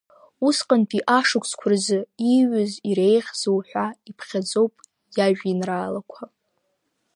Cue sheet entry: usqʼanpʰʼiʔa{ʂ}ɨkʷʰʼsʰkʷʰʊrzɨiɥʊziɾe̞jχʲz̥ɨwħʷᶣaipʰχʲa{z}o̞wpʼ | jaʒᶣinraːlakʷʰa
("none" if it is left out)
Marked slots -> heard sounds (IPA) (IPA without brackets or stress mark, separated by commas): ʂ, d͡z